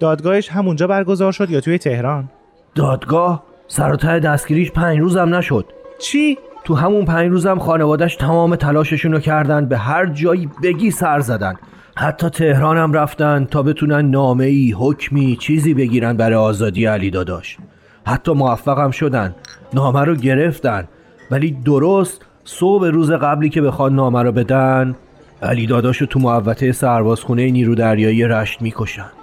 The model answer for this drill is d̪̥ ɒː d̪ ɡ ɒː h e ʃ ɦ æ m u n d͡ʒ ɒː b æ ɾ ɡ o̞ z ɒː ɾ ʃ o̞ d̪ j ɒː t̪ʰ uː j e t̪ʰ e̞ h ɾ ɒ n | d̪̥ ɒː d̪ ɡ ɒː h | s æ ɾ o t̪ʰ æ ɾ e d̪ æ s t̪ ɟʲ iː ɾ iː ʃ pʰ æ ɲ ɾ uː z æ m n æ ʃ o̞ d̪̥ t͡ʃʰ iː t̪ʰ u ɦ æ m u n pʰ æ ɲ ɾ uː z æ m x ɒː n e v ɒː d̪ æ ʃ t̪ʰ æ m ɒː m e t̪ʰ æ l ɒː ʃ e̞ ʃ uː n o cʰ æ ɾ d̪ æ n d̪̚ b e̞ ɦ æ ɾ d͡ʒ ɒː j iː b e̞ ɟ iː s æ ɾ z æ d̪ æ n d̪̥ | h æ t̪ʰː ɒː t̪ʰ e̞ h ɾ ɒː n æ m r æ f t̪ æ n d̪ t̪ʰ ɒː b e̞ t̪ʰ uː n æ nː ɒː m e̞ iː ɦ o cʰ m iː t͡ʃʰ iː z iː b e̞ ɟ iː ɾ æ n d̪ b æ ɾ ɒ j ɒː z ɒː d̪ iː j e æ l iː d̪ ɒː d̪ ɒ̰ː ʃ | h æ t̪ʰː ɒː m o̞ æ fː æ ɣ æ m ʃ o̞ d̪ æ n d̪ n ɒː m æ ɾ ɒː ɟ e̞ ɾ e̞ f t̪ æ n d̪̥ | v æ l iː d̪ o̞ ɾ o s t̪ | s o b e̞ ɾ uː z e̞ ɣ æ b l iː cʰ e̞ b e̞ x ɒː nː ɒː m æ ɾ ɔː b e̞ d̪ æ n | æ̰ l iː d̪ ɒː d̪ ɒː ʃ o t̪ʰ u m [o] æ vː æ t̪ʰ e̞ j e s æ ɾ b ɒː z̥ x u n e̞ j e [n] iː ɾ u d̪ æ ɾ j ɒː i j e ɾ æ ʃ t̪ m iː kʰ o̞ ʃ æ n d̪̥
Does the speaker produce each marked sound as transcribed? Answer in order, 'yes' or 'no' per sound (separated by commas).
yes, yes